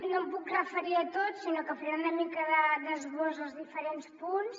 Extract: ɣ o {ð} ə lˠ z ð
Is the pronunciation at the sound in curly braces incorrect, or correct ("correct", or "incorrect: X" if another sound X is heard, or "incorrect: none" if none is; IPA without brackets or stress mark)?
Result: incorrect: z